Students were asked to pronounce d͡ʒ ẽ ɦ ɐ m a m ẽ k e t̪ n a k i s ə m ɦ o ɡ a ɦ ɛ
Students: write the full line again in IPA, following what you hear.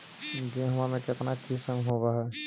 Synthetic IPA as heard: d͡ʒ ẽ ɦ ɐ m a m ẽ k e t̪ n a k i s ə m ɦ o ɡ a ɦ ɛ